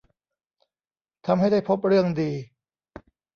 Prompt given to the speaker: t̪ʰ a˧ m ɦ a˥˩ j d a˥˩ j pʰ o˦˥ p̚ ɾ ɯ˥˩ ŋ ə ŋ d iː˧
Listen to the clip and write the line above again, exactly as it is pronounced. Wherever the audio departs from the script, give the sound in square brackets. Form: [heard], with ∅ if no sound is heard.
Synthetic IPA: t̪ʰ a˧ m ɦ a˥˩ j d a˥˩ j pʰ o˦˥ p̚ ɾ ɯ˥˩ [∅] ə ŋ d iː˧